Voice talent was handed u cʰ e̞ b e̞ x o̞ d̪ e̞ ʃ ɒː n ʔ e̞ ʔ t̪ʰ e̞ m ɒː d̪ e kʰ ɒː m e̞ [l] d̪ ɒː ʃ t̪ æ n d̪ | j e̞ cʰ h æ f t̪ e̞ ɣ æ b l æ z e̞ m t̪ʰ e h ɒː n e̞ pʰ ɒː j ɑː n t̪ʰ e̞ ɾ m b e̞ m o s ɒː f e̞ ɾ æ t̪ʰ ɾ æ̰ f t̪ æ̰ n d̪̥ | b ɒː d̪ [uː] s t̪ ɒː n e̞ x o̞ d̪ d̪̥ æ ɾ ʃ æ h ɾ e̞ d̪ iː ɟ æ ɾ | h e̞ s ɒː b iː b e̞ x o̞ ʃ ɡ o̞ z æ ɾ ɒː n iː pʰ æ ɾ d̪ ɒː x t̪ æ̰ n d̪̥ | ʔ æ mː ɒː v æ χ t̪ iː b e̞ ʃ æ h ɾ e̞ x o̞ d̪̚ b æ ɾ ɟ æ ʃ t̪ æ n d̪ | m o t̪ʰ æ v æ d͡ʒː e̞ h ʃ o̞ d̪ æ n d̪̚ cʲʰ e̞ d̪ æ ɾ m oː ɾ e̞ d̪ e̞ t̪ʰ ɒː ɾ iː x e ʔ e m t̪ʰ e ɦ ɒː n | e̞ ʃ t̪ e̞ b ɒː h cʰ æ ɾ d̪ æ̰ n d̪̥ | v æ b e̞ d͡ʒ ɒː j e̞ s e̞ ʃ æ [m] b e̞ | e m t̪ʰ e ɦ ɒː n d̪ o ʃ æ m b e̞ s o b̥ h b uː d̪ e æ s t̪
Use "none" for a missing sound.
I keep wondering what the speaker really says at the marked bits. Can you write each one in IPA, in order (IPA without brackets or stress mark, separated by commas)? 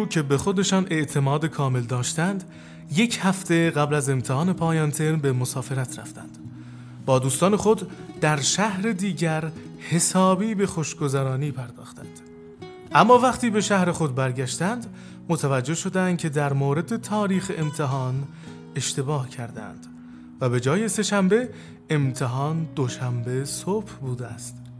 l, uː, m